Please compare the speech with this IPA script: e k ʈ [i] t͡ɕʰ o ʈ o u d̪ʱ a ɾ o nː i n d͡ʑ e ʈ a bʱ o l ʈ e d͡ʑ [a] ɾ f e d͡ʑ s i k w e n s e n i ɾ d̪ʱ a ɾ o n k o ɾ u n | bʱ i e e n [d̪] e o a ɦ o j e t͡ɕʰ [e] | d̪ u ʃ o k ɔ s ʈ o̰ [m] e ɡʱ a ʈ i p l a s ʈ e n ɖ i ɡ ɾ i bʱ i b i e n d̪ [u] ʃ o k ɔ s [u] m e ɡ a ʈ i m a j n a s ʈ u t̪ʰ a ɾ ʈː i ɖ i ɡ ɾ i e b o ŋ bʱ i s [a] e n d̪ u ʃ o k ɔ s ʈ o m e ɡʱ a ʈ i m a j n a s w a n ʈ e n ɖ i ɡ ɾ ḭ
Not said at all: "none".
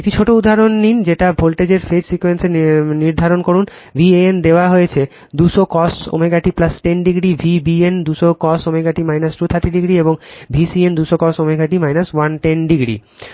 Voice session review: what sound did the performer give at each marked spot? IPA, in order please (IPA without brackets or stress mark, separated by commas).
i, e, d̪, e, m, u, o, i